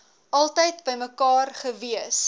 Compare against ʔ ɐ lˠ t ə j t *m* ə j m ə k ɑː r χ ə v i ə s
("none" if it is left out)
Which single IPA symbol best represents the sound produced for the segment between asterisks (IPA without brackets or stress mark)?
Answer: b